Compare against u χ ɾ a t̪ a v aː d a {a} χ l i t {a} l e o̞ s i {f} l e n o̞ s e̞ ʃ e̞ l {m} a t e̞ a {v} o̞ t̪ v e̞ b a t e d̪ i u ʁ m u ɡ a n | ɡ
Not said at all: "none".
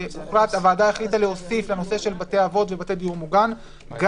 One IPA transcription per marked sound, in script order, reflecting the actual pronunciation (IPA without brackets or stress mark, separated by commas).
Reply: e, a, f, b, v